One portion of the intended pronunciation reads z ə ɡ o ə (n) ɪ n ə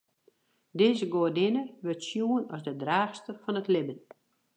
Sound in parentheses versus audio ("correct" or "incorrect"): incorrect